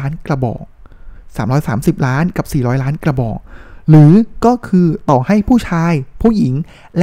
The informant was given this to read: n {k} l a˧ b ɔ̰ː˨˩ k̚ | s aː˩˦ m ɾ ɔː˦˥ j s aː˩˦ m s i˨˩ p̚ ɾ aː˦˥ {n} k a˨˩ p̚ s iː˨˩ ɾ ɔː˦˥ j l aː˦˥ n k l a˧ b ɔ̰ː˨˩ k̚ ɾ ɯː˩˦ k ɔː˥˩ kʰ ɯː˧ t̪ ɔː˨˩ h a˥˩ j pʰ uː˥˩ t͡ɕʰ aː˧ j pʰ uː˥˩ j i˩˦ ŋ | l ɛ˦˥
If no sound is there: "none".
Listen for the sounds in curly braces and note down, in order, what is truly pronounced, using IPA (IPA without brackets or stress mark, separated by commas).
k, n